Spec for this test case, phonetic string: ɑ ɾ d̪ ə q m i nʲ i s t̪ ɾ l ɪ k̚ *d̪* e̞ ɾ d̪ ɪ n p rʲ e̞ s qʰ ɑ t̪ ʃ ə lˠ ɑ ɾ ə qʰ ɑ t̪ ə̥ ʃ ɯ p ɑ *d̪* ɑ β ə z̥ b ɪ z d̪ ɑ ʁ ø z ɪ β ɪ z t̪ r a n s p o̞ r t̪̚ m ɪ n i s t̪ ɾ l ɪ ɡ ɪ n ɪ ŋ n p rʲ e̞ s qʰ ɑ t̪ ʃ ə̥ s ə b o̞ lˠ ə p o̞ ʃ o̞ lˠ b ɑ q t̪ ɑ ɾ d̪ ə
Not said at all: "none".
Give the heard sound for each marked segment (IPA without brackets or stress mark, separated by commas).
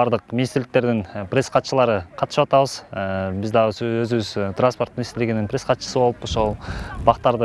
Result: t̪, t̪